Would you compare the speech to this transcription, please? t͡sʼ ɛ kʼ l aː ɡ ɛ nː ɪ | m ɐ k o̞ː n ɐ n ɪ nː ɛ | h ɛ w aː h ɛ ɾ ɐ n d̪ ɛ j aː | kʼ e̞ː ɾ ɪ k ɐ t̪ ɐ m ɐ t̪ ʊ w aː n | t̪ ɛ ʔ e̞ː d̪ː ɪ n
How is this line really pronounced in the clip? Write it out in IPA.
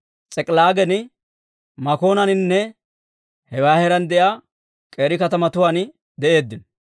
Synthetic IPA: t͡sʼ ɛ kʼ l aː ɡ ɛ n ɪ | m ɐ k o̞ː n ɐ n ɪ nː ɛ | h ɛ w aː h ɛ ɾ ɐ n d̪ ɛ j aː | kʼ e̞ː ɾ ɪ k ɐ t̪ ɐ m ɐ t̪ ʊ w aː n | d̪ ɛ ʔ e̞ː d̪ː ɪ n